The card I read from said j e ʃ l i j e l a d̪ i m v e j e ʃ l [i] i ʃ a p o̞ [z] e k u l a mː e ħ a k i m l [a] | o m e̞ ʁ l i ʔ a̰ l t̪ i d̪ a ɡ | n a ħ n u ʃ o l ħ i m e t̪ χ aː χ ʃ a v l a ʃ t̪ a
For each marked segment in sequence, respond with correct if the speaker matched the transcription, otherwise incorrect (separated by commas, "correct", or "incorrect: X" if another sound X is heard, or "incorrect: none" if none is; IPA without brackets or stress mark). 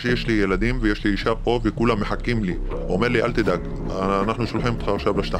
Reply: correct, incorrect: v, incorrect: i